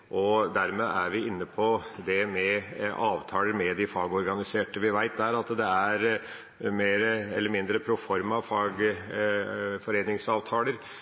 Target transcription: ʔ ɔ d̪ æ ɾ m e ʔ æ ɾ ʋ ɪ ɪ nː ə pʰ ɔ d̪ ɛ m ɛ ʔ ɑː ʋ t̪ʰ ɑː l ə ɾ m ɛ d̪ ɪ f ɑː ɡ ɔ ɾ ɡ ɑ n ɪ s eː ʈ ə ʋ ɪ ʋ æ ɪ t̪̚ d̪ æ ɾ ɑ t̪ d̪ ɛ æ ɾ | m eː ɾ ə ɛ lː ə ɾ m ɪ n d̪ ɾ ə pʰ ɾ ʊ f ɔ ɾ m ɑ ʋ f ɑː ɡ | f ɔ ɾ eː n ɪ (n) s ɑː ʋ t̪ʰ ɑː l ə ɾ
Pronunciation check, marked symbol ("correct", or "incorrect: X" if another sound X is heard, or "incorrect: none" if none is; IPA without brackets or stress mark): incorrect: ŋ